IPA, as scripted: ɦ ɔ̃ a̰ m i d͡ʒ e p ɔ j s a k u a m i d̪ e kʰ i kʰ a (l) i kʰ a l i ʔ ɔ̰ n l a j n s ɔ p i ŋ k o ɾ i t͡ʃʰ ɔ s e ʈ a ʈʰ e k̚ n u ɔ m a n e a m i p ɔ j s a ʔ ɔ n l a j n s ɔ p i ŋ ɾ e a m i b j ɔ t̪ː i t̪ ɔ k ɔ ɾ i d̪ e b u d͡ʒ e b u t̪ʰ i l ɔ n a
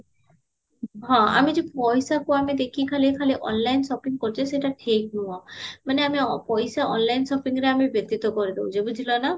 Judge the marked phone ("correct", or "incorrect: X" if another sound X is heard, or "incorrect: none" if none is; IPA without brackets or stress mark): correct